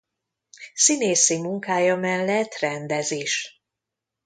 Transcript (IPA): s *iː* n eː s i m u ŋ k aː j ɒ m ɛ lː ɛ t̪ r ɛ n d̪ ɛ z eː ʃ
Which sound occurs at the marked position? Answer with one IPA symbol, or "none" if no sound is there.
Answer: i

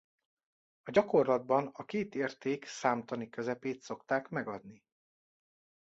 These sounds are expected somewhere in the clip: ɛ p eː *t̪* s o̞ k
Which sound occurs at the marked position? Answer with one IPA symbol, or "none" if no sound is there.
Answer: t̪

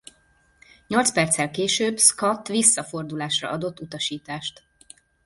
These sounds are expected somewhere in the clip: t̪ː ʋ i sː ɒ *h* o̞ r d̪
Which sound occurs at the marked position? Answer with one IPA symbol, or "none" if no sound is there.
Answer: f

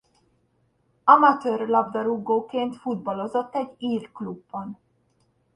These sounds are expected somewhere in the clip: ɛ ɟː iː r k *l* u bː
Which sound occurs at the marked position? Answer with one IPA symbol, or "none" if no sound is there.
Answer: l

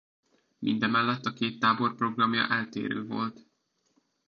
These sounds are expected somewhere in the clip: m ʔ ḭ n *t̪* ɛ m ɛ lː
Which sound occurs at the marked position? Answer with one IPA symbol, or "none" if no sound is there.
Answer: d̪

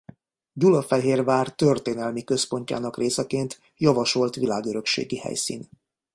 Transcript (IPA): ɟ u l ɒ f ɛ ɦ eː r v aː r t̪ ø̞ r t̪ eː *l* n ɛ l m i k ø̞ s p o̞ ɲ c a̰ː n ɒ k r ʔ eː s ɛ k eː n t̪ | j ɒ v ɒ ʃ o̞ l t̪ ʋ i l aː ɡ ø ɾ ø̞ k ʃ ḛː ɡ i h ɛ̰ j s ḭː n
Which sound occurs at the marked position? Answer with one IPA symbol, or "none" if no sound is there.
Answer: none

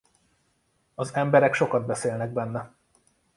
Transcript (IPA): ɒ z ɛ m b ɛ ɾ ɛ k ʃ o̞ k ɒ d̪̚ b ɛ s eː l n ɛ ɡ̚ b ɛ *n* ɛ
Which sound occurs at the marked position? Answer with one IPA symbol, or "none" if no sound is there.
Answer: nː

